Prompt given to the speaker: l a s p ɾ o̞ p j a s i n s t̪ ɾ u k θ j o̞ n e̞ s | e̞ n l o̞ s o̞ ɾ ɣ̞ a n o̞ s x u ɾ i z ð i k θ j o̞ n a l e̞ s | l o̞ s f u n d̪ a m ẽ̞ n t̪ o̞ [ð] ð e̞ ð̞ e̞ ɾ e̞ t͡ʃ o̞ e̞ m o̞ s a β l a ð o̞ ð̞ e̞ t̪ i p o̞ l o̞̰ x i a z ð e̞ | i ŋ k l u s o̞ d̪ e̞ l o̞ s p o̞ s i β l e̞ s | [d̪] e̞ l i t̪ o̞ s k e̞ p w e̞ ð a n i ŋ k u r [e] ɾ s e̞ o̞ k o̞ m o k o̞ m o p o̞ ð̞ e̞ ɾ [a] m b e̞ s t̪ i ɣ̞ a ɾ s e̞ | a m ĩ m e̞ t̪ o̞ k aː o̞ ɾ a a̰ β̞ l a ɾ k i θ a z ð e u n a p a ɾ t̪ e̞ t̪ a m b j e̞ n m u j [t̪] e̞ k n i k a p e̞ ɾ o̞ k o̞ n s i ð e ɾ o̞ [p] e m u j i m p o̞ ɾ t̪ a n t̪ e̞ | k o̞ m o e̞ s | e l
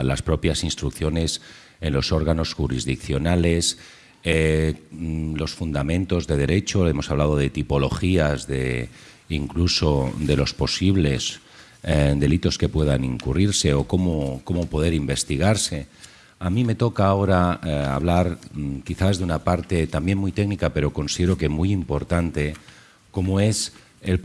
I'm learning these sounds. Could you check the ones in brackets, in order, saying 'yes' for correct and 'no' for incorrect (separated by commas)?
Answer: no, yes, no, no, yes, no